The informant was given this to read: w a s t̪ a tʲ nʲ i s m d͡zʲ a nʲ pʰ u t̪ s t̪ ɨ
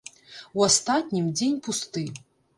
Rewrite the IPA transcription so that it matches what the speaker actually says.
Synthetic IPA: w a s t̪ a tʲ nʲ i m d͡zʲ e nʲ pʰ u s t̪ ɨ